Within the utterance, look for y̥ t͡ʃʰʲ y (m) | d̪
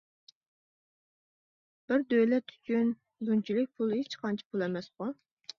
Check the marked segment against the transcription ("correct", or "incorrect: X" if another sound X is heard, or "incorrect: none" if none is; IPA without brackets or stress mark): incorrect: n